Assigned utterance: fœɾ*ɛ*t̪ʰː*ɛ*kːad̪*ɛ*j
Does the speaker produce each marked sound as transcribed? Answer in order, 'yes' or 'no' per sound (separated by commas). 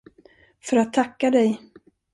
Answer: no, no, yes